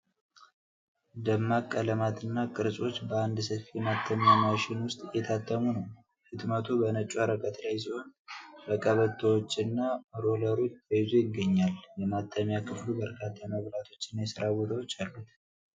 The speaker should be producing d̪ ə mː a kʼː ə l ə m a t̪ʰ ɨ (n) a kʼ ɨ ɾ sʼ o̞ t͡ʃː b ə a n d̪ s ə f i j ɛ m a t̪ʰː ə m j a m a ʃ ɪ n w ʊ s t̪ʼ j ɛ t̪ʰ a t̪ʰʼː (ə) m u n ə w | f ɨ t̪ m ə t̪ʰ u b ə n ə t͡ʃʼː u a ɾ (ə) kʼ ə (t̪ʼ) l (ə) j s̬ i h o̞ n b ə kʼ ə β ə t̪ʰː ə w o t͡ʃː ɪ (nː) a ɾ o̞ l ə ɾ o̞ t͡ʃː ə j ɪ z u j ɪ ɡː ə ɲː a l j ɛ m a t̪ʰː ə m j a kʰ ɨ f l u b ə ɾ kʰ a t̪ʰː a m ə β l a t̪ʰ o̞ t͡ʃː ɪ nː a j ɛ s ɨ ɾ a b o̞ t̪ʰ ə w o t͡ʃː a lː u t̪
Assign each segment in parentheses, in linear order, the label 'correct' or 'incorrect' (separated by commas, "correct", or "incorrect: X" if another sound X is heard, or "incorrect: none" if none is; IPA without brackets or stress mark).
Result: incorrect: nː, correct, correct, incorrect: t̪, incorrect: a, correct